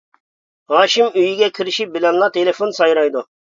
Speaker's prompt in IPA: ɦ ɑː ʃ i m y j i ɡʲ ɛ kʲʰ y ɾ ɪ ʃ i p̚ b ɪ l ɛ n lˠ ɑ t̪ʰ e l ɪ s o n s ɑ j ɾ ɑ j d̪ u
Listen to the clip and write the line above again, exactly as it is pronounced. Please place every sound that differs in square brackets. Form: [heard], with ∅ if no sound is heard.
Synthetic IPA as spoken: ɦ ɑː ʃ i m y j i ɡʲ ɛ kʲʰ [i] ɾ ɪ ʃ i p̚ b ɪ l ɛ n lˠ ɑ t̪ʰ e l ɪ [f] o n s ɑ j ɾ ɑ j d̪ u